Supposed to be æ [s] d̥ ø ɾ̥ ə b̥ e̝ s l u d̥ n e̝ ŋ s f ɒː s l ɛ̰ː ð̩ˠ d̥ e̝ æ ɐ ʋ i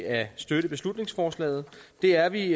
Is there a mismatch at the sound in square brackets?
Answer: no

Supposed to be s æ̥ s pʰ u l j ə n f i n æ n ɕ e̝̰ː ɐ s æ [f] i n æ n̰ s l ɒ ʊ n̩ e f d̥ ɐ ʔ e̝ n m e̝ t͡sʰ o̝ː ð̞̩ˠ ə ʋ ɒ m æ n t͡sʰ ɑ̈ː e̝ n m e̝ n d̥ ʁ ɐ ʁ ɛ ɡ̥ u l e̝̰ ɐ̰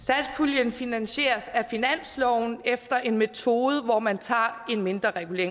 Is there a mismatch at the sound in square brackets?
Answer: no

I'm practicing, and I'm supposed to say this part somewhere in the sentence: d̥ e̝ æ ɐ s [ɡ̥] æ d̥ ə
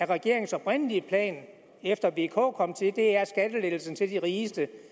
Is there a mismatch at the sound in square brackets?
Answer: no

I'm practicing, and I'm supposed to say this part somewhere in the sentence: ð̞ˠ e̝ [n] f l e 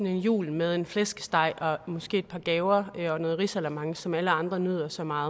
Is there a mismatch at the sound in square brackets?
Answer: no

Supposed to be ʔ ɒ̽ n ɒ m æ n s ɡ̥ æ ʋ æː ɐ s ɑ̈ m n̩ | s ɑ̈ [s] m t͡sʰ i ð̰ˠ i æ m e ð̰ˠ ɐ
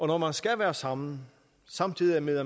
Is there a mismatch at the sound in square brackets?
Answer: yes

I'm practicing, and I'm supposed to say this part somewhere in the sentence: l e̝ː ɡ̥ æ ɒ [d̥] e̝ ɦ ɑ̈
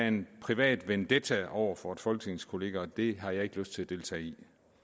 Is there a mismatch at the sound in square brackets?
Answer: no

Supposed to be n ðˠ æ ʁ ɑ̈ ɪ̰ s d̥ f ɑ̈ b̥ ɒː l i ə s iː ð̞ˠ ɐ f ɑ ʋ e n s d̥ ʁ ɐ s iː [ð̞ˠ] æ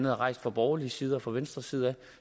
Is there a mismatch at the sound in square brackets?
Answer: no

